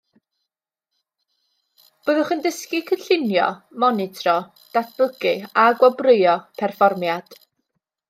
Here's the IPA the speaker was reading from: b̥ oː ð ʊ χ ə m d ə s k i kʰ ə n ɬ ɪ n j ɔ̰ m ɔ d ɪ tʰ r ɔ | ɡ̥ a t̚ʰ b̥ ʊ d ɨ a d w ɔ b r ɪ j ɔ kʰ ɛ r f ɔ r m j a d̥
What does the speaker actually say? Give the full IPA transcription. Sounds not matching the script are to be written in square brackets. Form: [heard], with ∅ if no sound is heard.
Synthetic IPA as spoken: b̥ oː ð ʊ χ ə [n] d ə s k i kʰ ə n ɬ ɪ n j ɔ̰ m ɔ [n] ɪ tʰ r ɔ | [d̥] a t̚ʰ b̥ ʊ [ɡ] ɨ a [ɡ] w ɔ b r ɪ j ɔ [pʰ] ɛ r f ɔ r m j a d̥